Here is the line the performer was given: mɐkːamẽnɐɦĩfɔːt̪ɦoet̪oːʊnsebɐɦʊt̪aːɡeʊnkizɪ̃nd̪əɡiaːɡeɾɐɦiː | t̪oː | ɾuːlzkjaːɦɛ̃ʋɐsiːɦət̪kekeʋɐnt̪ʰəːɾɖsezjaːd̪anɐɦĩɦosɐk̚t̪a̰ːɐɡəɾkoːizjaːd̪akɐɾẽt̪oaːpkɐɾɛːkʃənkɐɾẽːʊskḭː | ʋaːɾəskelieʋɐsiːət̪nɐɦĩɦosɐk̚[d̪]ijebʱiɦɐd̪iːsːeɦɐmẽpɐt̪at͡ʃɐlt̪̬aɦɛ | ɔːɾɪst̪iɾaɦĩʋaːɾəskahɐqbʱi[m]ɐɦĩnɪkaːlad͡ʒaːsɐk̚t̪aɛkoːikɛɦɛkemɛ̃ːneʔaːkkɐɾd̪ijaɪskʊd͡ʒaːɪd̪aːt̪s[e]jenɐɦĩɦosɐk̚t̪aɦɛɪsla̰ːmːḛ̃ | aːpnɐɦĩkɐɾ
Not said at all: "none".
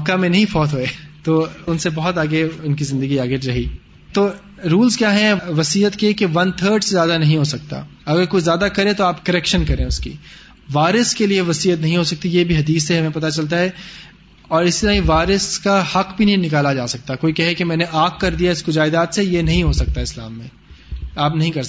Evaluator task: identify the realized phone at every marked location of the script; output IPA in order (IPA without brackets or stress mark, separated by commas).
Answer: t̪, n, e